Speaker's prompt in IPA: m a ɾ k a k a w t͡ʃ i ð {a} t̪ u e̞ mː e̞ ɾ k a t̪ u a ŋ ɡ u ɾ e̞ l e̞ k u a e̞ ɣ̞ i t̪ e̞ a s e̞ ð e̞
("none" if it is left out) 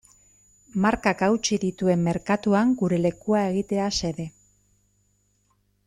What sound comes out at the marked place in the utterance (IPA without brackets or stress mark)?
i